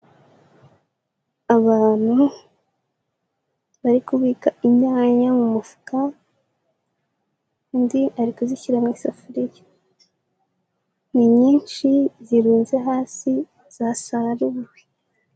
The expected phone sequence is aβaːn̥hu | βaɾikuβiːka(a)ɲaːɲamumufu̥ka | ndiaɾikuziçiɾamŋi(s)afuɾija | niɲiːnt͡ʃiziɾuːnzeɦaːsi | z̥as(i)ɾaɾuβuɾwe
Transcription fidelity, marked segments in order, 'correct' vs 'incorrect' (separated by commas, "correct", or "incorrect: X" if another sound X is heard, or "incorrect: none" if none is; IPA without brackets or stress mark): incorrect: i, correct, incorrect: a